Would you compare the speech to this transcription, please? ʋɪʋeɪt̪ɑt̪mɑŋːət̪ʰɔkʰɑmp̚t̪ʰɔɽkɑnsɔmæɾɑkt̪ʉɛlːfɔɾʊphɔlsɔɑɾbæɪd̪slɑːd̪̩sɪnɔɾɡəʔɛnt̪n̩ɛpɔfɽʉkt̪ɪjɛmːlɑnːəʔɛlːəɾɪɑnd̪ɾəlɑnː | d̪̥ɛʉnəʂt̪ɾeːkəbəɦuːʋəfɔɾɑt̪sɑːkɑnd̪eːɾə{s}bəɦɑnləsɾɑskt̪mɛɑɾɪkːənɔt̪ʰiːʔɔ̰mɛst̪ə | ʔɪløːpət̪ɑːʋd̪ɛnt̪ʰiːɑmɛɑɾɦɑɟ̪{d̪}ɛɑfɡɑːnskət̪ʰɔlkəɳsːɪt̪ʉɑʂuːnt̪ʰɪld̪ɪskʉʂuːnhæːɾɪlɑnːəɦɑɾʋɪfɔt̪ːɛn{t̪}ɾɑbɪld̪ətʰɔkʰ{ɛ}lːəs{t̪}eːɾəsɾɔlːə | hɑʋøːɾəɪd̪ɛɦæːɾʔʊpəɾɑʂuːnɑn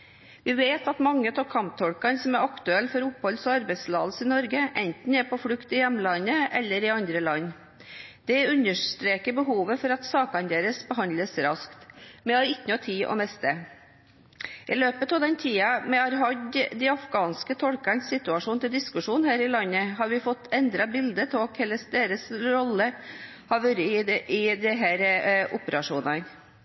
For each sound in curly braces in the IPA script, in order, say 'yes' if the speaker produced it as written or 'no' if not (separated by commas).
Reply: yes, yes, no, yes, no